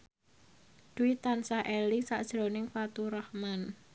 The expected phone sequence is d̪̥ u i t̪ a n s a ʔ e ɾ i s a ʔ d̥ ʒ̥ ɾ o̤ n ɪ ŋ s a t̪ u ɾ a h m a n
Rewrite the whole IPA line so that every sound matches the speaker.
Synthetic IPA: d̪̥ u i t̪ a n s a ʔ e l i s a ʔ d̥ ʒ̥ ɾ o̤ n ɪ ŋ f a t̪ u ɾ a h m a n